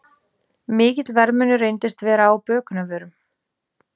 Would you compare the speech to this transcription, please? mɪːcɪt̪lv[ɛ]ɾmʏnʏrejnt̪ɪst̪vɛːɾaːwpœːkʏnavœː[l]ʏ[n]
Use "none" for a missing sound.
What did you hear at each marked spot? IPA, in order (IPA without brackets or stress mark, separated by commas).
ɛ, ɾ, m